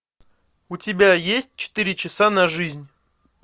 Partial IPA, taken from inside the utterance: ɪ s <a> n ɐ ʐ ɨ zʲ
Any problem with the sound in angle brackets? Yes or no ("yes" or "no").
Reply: no